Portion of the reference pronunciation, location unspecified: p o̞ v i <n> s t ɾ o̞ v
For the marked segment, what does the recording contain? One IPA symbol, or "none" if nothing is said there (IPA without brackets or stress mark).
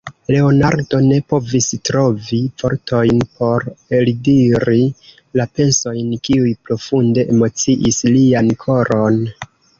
none